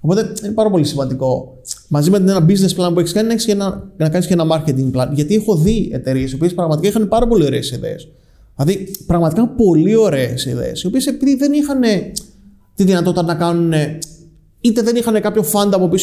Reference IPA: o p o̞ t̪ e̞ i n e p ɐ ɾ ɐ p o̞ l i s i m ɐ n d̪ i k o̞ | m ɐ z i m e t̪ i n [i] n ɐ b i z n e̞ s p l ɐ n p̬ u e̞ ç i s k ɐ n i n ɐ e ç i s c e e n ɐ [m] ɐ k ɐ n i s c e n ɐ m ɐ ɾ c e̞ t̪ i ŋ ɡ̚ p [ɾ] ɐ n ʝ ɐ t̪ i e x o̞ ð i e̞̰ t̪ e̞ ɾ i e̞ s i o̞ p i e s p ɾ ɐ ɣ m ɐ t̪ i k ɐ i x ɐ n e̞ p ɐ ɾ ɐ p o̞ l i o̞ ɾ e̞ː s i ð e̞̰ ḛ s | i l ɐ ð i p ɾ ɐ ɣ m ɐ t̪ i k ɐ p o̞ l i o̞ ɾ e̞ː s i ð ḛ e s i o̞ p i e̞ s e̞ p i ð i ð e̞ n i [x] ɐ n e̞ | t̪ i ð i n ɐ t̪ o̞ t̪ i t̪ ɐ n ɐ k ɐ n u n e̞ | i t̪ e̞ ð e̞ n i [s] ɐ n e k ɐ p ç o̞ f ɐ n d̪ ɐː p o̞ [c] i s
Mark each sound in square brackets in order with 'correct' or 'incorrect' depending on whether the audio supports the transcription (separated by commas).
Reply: incorrect, incorrect, incorrect, correct, incorrect, incorrect